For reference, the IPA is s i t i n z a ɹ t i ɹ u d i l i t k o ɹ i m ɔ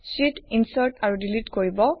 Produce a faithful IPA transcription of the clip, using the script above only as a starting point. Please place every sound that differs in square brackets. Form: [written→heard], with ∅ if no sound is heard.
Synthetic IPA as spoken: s i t i n [z→s] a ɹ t [i→a] ɹ u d i l i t k o ɹ i [m→b] ɔ